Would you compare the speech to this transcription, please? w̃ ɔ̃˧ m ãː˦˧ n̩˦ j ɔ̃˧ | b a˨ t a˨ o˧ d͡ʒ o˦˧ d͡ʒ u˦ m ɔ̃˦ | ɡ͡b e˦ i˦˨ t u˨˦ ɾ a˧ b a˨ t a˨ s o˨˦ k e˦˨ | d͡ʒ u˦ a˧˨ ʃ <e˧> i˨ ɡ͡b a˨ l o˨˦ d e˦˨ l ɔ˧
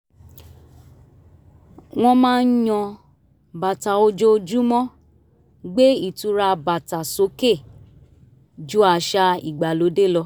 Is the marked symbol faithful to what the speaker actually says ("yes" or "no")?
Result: no